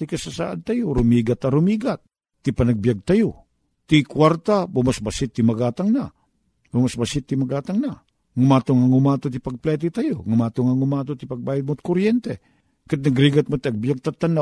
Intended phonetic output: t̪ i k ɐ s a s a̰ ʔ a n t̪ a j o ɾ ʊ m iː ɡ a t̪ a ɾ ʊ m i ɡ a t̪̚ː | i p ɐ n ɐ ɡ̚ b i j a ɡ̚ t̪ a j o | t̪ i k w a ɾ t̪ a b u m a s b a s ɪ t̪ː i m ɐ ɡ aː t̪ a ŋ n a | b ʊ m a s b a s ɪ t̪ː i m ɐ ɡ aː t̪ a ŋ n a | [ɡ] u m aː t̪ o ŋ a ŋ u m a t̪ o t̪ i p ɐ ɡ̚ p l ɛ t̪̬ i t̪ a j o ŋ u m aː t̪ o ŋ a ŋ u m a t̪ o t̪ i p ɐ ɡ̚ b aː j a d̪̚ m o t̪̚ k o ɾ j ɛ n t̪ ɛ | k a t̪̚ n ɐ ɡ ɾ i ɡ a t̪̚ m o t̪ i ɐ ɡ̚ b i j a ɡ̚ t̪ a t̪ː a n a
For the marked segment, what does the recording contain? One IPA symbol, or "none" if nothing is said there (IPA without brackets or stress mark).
ŋ